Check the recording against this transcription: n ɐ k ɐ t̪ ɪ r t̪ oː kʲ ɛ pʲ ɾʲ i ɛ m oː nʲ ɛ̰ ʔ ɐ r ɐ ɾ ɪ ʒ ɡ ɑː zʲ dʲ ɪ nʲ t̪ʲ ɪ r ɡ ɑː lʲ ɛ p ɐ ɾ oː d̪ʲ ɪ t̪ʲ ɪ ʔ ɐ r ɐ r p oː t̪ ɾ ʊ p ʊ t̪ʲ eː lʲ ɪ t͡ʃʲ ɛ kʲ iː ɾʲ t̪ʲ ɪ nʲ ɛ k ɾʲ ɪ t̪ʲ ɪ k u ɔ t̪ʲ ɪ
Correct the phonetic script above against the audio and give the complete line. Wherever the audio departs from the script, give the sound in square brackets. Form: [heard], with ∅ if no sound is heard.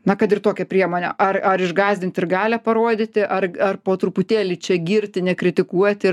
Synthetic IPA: n ɐ k ɐ t̪ ɪ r t̪ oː kʲ ɛ pʲ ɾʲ i ɛ m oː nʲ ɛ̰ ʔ ɐ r ɐ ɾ ɪ ʒ ɡ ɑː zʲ dʲ ɪ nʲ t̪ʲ ɪ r ɡ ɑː lʲ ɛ p ɐ ɾ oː d̪ʲ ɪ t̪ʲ ɪ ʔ ɐ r ɐ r p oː t̪ ɾ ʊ p ʊ t̪ʲ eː lʲ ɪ t͡ʃʲ ɛ [ɡʲ] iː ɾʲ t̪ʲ ɪ nʲ ɛ k ɾʲ ɪ t̪ʲ ɪ k u ɔ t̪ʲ ɪ

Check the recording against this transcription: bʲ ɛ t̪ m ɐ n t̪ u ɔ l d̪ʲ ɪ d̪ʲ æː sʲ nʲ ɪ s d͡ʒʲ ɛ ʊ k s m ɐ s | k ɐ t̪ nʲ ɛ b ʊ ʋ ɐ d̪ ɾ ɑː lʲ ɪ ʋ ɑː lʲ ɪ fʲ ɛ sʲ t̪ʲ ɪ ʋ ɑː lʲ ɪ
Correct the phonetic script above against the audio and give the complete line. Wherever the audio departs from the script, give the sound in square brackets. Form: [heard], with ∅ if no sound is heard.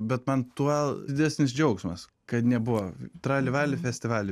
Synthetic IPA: bʲ ɛ t̪ m ɐ n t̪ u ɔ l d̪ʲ ɪ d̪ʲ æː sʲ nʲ ɪ s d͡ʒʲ ɛ ʊ k s m ɐ s | k ɐ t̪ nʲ ɛ b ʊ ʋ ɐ [t̪] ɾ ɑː lʲ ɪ ʋ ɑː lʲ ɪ fʲ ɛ sʲ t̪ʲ ɪ ʋ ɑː lʲ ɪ

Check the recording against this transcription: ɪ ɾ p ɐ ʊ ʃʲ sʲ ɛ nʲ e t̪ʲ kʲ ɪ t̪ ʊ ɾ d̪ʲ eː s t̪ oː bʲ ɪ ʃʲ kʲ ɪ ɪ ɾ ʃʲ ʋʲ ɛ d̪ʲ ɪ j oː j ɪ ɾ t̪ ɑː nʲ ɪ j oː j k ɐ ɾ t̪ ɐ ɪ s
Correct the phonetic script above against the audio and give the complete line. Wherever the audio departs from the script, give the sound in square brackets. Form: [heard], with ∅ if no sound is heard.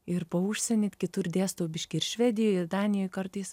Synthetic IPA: ɪ ɾ p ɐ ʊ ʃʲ sʲ ɛ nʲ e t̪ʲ kʲ ɪ t̪ ʊ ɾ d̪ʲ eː s t̪ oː bʲ ɪ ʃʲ kʲ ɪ ɪ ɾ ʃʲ ʋʲ ɛ d̪ʲ ɪ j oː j ɪ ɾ [d̪] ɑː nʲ ɪ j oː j k ɐ ɾ t̪ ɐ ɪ s

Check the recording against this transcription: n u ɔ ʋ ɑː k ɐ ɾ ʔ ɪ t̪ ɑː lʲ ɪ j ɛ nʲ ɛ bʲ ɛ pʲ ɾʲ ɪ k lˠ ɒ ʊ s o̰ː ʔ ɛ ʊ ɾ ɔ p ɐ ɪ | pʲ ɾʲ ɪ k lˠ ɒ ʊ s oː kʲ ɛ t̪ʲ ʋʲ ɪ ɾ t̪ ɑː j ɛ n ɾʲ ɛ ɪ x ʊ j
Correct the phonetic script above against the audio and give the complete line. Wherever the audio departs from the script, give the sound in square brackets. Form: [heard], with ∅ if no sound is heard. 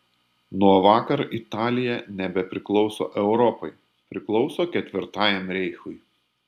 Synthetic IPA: n u ɔ ʋ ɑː k ɐ ɾ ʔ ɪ t̪ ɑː lʲ ɪ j ɛ nʲ ɛ bʲ ɛ pʲ ɾʲ ɪ k lˠ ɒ ʊ s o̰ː ʔ ɛ ʊ ɾ ɔ p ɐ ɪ | pʲ ɾʲ ɪ k lˠ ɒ ʊ s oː kʲ ɛ t̪ʲ ʋʲ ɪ ɾ t̪ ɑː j ɛ [m] ɾʲ ɛ ɪ x ʊ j

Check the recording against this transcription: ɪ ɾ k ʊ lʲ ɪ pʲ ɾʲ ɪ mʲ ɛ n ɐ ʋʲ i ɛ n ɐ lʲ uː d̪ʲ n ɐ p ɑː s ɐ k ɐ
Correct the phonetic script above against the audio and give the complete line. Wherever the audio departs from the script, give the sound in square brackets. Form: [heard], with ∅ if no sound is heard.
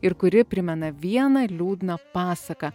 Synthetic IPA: ɪ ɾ k ʊ [ɾʲ] ɪ pʲ ɾʲ ɪ mʲ ɛ n ɐ ʋʲ i ɛ n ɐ lʲ uː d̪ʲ n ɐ p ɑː s ɐ k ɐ

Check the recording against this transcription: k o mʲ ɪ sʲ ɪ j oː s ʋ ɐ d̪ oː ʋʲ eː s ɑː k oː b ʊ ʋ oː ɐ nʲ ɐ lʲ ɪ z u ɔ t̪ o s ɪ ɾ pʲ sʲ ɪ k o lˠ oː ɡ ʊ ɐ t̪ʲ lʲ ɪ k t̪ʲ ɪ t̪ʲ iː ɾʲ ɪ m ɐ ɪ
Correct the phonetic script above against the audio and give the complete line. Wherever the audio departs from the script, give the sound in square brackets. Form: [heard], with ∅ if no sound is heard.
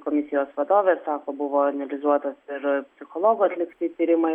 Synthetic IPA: k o mʲ ɪ sʲ ɪ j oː s ʋ ɐ d̪ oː ʋʲ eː s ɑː k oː b ʊ ʋ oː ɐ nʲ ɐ lʲ ɪ z u ɔ t̪ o s ɪ ɾ pʲ sʲ ɪ [x] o lˠ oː ɡ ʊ ɐ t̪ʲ lʲ ɪ k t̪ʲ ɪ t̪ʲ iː ɾʲ ɪ m ɐ ɪ

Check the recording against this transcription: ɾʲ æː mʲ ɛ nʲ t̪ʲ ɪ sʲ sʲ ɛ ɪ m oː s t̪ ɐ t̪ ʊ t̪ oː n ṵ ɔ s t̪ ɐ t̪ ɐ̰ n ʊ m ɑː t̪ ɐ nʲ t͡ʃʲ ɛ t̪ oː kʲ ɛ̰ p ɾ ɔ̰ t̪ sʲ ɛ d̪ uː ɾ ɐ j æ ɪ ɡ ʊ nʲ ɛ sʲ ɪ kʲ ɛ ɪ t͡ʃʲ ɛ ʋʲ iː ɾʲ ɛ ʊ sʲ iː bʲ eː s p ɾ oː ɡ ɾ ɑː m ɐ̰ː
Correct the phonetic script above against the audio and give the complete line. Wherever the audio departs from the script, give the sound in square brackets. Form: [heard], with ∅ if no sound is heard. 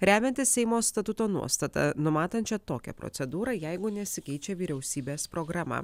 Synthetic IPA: ɾʲ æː mʲ ɛ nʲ t̪ʲ ɪ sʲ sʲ ɛ ɪ m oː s t̪ ɐ t̪ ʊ t̪ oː n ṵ ɔ s t̪ ɐ t̪ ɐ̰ n ʊ m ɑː t̪ ɐ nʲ t͡ʃʲ ɛ t̪ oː kʲ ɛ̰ p ɾ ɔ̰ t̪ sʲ ɛ d̪ uː ɾ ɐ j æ ɪ ɡ ʊ nʲ ɛ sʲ ɪ kʲ ɛ ɪ t͡ʃʲ ɛ ʋʲ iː ɾʲ ɛ ʊ sʲ iː bʲ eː s p ɾ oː ɡ ɾ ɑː m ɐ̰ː

